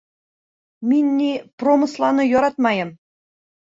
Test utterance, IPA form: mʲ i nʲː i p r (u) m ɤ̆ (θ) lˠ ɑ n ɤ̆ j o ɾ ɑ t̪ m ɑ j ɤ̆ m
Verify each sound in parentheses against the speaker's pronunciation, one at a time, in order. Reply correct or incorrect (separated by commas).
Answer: incorrect, incorrect